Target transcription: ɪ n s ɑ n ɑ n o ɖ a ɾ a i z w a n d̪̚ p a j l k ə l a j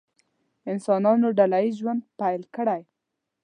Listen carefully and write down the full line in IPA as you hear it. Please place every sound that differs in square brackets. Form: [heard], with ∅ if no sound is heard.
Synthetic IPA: ɪ n s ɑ n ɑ n o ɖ a [l] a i [ʒ] w a n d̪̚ p a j l k ə [ɽ] a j